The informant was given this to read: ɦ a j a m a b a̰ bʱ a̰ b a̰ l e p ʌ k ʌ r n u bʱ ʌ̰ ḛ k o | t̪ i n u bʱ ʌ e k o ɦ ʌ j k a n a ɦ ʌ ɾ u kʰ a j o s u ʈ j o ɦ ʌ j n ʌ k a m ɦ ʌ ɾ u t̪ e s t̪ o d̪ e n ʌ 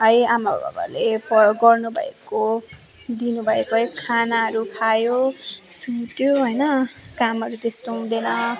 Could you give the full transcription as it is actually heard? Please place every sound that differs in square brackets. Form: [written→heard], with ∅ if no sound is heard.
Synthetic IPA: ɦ [a→ʌ] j a m a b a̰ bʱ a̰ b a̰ l e p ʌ [k→ɡ] ʌ r n u bʱ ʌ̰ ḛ k o | [t̪→d̪] i n u bʱ ʌ e k o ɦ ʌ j [k→kʰ] a n a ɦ ʌ ɾ u kʰ a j o s u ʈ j o ɦ ʌ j n ʌ k a m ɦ ʌ ɾ u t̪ e s t̪ o d̪ e n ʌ